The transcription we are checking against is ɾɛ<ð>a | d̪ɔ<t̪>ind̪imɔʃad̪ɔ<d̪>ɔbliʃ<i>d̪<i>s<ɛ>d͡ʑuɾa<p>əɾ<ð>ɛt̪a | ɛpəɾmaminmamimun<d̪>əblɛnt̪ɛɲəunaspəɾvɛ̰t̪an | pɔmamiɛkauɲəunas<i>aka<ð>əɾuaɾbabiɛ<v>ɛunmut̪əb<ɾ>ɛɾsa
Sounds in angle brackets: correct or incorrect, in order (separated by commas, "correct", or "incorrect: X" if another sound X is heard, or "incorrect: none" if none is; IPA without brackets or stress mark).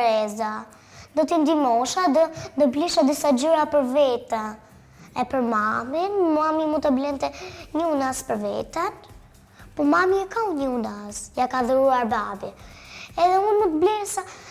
incorrect: z, correct, correct, incorrect: a, correct, incorrect: a, correct, incorrect: v, incorrect: t̪, incorrect: j, correct, incorrect: ð, incorrect: l